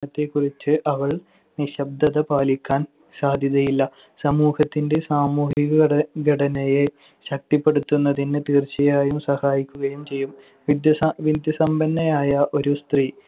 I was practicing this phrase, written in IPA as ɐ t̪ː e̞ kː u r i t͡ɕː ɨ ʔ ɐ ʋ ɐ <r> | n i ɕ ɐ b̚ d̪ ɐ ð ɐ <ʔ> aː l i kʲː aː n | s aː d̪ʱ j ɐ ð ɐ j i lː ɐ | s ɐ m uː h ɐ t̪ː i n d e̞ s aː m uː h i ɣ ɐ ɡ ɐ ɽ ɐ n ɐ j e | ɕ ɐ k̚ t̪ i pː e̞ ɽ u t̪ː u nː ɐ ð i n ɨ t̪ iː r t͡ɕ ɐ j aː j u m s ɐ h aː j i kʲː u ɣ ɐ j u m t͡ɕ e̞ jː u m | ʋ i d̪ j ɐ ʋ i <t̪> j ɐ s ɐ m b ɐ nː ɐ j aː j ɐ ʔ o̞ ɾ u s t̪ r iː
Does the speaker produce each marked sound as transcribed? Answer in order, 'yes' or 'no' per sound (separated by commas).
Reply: no, no, no